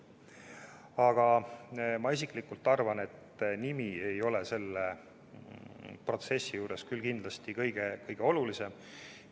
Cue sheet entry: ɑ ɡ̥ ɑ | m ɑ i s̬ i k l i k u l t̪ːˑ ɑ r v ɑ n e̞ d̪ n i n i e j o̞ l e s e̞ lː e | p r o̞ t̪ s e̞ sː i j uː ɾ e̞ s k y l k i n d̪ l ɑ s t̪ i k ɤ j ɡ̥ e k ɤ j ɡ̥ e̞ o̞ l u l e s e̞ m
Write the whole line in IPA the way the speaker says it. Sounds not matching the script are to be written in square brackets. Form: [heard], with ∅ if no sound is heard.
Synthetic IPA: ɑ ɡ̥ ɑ | m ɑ i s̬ i k l i k u l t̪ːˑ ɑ r v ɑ n e̞ [t̪] n i [m] i e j o̞ l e s e̞ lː e | p r o̞ t̪ s e̞ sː i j uː ɾ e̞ s k y l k i n d̪ l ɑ s t̪ i k ɤ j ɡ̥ e k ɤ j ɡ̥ e̞ o̞ l u l [i] s e̞ m

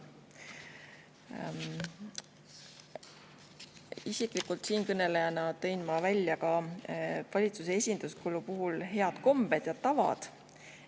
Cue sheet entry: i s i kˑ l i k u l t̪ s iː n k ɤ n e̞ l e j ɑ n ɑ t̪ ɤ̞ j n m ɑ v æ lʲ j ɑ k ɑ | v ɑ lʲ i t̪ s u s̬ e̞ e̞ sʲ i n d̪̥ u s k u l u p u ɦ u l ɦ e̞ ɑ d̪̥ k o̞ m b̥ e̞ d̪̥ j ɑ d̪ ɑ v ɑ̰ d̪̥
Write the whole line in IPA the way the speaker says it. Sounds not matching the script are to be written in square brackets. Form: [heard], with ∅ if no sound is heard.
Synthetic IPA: i s i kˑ l i k u l t̪ s iː n k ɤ n e̞ l e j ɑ n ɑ t̪ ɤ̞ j n m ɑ v æ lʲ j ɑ k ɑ | v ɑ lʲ i t̪ s u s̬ e̞ e̞ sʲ i n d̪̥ u s k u l u p u ɦ u l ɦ e̞ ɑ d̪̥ k o̞ m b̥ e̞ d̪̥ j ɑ [t̪] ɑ v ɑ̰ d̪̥

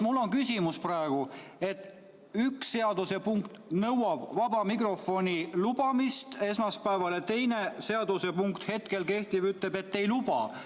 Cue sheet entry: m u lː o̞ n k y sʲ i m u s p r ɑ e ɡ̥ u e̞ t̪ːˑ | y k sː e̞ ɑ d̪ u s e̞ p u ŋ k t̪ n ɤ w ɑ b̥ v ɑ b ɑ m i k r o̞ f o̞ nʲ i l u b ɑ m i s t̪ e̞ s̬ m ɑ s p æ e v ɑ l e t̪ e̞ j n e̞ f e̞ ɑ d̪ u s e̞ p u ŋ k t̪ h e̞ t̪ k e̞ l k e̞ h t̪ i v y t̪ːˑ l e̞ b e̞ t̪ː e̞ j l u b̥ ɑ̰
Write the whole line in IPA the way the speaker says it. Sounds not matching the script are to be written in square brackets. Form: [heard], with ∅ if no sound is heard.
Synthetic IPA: m u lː o̞ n k y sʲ i m u s p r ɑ e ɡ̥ u e̞ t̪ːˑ | y k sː e̞ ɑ d̪ u s e̞ p u ŋ k t̪ n ɤ w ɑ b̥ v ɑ b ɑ m i k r o̞ f o̞ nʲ i l u b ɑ m i s t̪ e̞ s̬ m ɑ s p æ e v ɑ l e t̪ e̞ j n e̞ [s] e̞ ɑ d̪ u s e̞ p u ŋ k t̪ h e̞ t̪ k e̞ l k e̞ h t̪ i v y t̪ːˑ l e̞ b e̞ t̪ː e̞ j l u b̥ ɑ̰

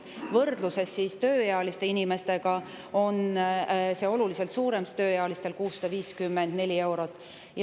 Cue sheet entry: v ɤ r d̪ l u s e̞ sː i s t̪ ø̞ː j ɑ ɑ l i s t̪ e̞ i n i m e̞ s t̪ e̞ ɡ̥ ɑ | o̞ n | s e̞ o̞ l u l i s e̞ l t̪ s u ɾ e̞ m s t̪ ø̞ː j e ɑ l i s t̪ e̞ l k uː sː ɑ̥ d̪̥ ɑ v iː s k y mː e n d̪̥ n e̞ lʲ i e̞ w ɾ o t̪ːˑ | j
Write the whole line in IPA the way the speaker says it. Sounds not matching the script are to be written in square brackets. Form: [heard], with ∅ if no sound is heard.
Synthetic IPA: v ɤ r d̪ l u s e̞ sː i s t̪ ø̞ː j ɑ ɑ l i s t̪ e̞ i n i m e̞ s t̪ e̞ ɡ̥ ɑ | o̞ n | s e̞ o̞ l u l i s e̞ l t̪ s [uː] ɾ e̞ m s t̪ ø̞ː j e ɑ l i s t̪ e̞ l k uː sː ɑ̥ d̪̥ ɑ v iː s k y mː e n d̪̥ n e̞ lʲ i e̞ w ɾ o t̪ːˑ | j

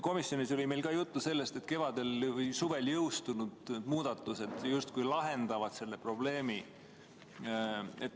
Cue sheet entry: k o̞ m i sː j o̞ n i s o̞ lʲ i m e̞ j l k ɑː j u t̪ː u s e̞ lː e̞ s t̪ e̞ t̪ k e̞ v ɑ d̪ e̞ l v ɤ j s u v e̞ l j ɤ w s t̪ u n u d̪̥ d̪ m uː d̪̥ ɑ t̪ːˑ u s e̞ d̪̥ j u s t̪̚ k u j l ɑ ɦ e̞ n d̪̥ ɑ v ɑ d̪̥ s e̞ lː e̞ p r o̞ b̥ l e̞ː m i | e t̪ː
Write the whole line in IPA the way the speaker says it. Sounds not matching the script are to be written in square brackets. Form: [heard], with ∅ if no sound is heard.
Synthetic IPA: k o̞ m i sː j o̞ n i s o̞ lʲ i m e̞ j l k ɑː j u t̪ː u s e̞ lː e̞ s t̪ e̞ t̪ k e̞ v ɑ d̪ e̞ l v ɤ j s u v e̞ l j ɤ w s t̪ u n u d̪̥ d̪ m uː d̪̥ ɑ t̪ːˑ u s e̞ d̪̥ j u s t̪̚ k u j l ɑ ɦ e̞ n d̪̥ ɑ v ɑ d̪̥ s e̞ lː e̞ p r o̞ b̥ l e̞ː m i | e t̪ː

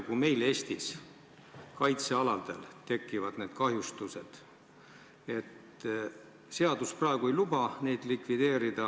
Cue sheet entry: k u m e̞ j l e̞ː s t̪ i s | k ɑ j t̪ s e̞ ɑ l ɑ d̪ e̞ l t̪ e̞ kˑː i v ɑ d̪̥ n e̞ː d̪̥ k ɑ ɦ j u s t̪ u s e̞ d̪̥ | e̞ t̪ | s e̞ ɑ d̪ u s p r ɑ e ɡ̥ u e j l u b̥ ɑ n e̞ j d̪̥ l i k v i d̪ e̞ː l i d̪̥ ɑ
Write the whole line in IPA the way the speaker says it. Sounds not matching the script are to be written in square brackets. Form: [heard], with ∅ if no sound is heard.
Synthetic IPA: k u m e̞ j l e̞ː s t̪ i s | k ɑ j t̪ s e̞ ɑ l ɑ d̪ e̞ l t̪ e̞ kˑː i v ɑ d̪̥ n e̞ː d̪̥ k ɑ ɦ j u s t̪ u s e̞ d̪̥ | e̞ t̪ | s e̞ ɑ d̪ u s p r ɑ e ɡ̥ u e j l u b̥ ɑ n e̞ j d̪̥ l i k v i d̪ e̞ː [ɾ] i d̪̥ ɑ

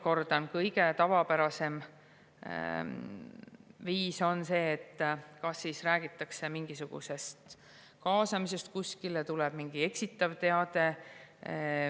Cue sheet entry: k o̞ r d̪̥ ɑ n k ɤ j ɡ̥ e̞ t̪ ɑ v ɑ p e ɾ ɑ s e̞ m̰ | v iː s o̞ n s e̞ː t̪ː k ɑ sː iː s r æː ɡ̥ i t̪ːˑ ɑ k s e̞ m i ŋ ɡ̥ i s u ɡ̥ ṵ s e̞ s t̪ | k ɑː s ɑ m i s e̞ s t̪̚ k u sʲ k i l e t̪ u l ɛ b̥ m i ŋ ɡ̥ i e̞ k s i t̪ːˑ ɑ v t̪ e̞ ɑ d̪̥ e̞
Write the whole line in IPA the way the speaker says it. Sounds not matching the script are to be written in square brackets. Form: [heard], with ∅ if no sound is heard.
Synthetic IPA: k o̞ r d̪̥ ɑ n k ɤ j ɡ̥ e̞ t̪ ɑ v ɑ p [æ] ɾ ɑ s e̞ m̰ | v iː s o̞ n s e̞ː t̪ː k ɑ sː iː s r æː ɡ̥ i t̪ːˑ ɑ k s e̞ m i ŋ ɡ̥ i s u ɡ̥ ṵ s e̞ s t̪ | k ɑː s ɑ m i s e̞ s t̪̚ k u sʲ k i l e t̪ u l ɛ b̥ m i ŋ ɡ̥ i e̞ k s i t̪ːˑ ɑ v t̪ e̞ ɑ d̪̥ e̞

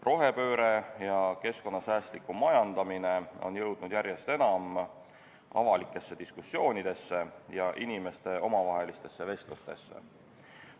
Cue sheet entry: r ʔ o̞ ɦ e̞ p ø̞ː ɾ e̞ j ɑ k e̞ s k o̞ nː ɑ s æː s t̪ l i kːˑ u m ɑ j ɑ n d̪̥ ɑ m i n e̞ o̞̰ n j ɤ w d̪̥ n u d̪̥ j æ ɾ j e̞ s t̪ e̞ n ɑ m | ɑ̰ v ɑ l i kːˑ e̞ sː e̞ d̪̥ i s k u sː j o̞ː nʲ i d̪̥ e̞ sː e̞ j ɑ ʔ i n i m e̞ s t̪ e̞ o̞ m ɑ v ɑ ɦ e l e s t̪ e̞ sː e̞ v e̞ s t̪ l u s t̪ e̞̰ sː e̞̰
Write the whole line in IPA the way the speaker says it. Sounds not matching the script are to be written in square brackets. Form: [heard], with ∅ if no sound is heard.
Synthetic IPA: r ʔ o̞ ɦ e̞ p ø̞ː ɾ e̞ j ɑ k e̞ s k o̞ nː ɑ s æː s t̪ l i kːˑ u m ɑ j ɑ n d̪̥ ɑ m i n e̞ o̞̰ n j ɤ w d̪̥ n u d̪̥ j æ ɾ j e̞ s t̪ e̞ n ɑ m | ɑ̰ v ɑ l i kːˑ e̞ sː e̞ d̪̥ i s k u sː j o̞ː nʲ i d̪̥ e̞ sː e̞ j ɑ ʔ i n i m e̞ s t̪ e̞ o̞ m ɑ v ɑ ɦ e l [i] s t̪ e̞ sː e̞ v e̞ s t̪ l u s t̪ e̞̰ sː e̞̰

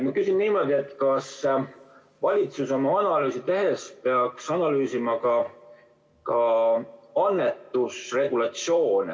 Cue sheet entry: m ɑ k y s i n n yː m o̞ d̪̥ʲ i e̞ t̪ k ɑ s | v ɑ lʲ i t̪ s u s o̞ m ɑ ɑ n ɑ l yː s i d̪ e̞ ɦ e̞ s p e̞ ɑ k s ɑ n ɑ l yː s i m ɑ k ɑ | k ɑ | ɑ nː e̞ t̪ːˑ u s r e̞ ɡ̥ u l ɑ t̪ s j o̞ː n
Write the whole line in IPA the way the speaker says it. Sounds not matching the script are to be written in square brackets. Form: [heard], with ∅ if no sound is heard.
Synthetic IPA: m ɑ k y s i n n [iː] m o̞ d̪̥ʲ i e̞ t̪ k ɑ s | v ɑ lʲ i t̪ s u s o̞ m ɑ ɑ n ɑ l yː s i [t̪] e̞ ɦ e̞ s p e̞ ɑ k s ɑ n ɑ l yː s i m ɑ k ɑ | k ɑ | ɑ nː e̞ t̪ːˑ u s r e̞ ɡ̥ u l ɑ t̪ s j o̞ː n

